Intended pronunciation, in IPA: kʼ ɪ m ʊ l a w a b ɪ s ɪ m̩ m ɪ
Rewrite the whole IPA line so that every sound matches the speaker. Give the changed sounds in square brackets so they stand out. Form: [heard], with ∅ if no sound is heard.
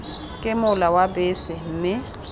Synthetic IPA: kʼ ɪ m ʊ l a w a b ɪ s ɪ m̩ m ɪ